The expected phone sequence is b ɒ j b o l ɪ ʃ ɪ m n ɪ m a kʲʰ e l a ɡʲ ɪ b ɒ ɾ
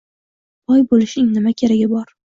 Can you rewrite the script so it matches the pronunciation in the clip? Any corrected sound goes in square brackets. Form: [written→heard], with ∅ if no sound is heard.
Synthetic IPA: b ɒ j b o l ɪ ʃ ɪ [m→ŋ] n ɪ m a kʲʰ e [l→ɾ] a ɡʲ ɪ b ɒ ɾ